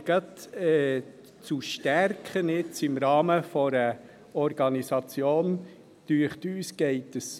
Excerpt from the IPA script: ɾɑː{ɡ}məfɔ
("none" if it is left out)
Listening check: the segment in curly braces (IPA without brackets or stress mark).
none